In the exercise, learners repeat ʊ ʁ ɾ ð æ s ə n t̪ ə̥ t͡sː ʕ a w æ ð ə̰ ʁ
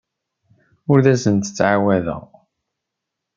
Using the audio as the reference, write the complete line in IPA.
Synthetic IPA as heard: ʊ ɾ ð æ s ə n t̪ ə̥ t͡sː ʕ a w æ ð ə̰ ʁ